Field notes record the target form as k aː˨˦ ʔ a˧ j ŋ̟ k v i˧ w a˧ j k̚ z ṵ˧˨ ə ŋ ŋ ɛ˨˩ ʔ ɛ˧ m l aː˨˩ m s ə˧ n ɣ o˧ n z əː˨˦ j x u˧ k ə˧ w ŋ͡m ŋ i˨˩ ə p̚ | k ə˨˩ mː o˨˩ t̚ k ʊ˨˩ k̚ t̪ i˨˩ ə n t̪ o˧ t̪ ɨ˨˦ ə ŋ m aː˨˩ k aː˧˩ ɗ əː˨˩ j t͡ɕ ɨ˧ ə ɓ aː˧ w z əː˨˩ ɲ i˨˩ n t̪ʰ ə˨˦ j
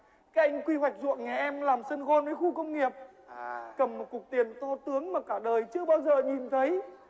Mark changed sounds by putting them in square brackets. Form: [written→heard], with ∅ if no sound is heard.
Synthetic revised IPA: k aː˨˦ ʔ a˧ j ŋ̟ k [v→w] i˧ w [a˧→a˨˩] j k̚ z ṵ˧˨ ə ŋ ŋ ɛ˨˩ ʔ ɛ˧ m l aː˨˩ m s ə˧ n ɣ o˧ n [z→v] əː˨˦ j x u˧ k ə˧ w ŋ͡m ŋ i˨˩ ə p̚ | k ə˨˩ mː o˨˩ t̚ k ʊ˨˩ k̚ t̪ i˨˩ ə n t̪ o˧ t̪ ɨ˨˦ ə ŋ m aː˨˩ k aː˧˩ ɗ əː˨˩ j t͡ɕ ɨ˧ ə ɓ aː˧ w z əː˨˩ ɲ i˨˩ n t̪ʰ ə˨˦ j